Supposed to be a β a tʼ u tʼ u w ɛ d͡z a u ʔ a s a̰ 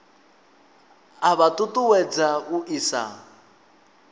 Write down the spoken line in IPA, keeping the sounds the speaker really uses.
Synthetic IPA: a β a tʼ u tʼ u w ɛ d͡z a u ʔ i s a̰